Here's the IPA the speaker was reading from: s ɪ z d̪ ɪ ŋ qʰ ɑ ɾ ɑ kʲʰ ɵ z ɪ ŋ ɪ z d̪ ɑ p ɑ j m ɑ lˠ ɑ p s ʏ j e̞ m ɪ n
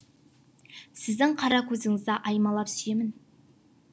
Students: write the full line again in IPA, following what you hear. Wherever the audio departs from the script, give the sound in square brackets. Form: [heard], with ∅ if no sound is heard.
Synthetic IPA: s ɪ z d̪ ɪ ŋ qʰ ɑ ɾ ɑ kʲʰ ɵ z ɪ ŋ ɪ z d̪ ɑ [ʔ] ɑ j m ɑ lˠ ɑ p s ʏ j e̞ m ɪ n